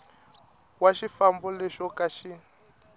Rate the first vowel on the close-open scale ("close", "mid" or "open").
open